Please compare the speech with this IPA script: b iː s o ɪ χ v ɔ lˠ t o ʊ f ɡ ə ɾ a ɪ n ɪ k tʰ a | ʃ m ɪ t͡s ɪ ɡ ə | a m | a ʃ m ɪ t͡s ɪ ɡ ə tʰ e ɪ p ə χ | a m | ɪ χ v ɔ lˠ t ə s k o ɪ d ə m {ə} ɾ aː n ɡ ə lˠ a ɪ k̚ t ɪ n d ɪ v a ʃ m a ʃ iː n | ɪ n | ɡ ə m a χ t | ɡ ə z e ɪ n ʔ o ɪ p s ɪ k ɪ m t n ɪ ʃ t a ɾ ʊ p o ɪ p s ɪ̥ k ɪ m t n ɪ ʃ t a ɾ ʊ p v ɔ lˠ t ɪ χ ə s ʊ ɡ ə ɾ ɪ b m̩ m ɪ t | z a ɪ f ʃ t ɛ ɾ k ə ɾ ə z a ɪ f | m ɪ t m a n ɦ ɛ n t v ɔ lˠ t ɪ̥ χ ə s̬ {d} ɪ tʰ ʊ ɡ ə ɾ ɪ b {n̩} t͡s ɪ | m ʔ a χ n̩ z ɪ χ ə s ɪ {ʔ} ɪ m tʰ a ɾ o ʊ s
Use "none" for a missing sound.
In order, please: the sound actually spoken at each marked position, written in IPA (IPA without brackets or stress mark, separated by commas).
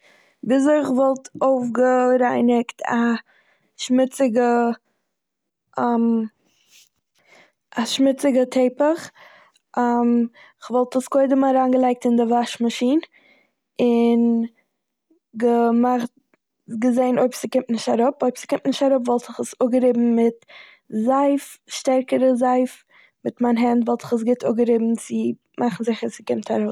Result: a, ɡ, m̩, k